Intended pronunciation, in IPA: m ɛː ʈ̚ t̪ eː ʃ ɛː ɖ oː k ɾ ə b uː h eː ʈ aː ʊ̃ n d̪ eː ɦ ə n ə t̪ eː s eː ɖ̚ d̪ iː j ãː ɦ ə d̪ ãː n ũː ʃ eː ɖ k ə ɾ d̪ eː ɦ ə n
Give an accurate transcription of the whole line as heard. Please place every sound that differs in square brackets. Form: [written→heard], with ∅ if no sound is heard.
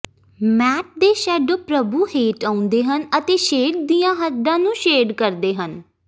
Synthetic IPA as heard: m ɛː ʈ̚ [t̪→d̪] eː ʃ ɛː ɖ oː [k→p] ɾ ə b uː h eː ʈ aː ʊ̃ n d̪ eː ɦ ə n ə t̪ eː [s→ʃ] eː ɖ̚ d̪ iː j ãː ɦ ə d̪ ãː n ũː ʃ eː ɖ k ə ɾ d̪ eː ɦ ə n